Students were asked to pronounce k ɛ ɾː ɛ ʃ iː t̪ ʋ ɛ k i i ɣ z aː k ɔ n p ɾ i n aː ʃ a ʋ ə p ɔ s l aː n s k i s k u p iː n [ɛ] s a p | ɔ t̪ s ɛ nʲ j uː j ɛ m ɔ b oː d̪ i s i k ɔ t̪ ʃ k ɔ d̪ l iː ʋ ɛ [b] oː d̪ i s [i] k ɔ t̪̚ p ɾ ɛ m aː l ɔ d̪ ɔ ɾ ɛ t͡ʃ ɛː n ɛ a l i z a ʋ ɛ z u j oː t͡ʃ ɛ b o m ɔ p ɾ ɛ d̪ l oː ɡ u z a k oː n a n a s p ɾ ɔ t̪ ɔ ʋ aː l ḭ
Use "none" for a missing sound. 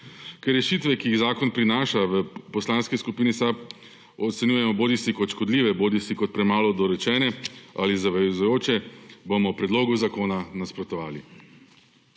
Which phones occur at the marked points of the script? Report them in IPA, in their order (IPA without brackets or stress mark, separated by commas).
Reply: i, b, i